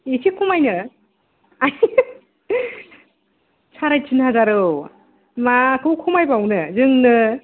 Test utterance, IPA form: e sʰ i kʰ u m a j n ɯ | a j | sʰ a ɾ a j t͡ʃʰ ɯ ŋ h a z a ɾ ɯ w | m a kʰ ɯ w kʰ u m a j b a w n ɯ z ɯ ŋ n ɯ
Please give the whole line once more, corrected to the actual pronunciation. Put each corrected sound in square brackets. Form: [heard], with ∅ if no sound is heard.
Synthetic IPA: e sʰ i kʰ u m a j n ɯ | a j | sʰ a ɾ a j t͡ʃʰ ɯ [n] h a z a ɾ ɯ w | m a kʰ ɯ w kʰ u m a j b a w n ɯ z ɯ ŋ n ɯ